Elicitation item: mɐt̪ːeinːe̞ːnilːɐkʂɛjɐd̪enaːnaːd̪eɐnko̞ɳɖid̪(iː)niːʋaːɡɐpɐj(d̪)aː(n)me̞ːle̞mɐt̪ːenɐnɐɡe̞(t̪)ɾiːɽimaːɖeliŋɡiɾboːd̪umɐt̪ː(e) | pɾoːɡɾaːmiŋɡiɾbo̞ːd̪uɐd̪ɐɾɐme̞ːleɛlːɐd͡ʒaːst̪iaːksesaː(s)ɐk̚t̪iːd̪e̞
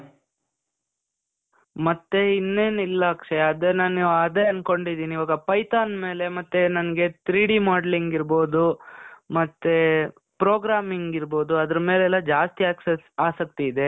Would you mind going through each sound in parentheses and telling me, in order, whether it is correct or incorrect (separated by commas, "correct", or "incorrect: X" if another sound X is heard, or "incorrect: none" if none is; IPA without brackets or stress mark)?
correct, incorrect: t̪, correct, correct, correct, correct